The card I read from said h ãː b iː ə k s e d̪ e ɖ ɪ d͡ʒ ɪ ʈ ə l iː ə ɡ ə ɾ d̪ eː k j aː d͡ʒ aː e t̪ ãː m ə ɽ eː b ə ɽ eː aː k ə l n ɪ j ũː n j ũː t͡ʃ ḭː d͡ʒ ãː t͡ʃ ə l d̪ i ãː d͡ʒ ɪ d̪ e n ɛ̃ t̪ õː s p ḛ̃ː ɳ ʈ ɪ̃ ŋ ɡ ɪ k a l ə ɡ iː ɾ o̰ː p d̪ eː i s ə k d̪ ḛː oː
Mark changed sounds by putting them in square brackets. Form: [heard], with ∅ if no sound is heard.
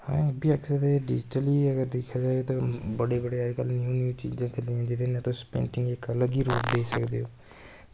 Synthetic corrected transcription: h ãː b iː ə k s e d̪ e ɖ ɪ d͡ʒ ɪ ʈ ə l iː ə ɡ ə ɾ d̪ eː [kʰ] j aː d͡ʒ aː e t̪ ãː [b] ə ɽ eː b ə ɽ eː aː k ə l n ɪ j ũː n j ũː t͡ʃ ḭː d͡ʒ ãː t͡ʃ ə l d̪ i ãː d͡ʒ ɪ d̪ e n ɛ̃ t̪ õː s p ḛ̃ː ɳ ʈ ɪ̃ ŋ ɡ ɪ k [ə] l ə ɡ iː ɾ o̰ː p d̪ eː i s ə k d̪ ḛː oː